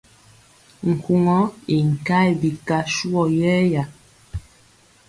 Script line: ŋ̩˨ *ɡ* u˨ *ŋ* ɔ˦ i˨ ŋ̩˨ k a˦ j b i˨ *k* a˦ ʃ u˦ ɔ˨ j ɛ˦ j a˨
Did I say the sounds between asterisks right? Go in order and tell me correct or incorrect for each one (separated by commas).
incorrect, correct, correct